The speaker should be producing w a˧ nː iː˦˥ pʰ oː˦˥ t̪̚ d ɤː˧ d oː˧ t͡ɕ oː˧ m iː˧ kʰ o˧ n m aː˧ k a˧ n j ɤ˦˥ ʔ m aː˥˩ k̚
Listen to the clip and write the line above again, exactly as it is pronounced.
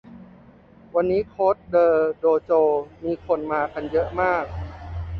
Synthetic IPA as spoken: w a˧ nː iː˦˥ kʰ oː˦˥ t̪̚ d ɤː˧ d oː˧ t͡ɕ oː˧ m iː˧ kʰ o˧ n m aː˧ k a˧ n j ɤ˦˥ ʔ m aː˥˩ k̚